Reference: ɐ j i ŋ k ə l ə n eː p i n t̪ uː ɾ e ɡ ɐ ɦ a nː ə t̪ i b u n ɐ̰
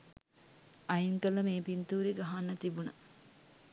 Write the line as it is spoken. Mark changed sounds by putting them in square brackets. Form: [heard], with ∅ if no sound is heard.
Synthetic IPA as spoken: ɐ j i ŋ k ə l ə [m] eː p i n t̪ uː ɾ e ɡ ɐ ɦ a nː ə t̪ i b u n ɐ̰

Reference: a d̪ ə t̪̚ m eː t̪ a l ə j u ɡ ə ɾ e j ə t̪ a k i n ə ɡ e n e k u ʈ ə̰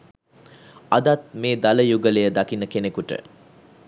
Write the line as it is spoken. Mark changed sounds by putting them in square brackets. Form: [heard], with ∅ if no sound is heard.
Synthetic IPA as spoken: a d̪ [a] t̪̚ m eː [d̪] a l ə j u ɡ ə [l] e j ə [d̪] a k i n ə [k] e n e k u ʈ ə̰

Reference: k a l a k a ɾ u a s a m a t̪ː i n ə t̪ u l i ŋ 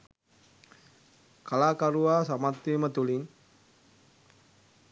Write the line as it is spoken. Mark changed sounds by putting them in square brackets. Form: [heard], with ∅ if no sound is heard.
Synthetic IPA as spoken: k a l a k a ɾ u a s a m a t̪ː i [m] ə t̪ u l i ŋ

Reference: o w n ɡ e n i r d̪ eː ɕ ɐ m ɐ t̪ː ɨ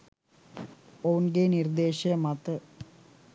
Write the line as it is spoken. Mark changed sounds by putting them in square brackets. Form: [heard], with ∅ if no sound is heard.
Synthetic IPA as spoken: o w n ɡ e n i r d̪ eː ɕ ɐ m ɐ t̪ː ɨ

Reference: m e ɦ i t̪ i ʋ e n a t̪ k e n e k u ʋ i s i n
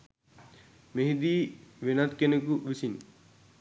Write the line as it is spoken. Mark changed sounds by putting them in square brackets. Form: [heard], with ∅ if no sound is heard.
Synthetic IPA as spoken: m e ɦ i [d̪] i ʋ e n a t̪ k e n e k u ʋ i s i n

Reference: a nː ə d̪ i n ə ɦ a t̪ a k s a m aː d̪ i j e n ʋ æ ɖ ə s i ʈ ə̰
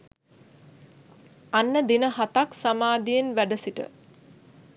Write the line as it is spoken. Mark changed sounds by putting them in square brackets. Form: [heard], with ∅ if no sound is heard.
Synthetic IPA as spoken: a nː ə d̪ i n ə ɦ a t̪ a k s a m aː d̪ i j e n ʋ æ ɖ ə s i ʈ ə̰

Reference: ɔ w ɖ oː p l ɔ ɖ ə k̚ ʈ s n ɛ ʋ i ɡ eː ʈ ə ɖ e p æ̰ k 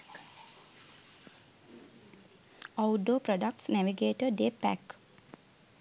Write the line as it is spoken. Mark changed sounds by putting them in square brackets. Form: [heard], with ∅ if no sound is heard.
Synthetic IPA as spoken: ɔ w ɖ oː p [ɾ] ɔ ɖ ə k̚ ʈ s n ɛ ʋ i ɡ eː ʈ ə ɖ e p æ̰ k

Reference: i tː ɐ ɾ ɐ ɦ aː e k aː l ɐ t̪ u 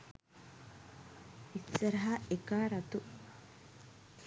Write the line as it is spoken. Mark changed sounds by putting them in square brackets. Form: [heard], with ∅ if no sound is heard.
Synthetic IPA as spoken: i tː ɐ ɾ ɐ ɦ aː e k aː [ɾ] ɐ t̪ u

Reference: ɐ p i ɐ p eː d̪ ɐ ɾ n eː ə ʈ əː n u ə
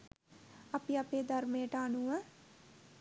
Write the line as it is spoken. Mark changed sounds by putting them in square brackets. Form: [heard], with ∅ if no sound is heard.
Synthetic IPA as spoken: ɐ p i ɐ p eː d̪ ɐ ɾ [m] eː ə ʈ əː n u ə

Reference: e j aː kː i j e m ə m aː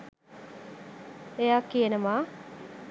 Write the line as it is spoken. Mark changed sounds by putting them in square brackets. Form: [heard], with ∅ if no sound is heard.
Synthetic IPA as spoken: e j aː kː i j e [n] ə m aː

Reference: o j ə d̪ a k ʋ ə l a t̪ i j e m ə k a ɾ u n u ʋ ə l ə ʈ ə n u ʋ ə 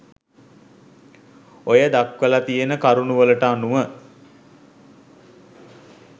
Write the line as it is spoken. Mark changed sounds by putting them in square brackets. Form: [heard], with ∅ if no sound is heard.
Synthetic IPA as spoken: o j ə d̪ a k ʋ ə l a t̪ i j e [n] ə k a ɾ u n u ʋ ə l ə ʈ [a] n u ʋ ə

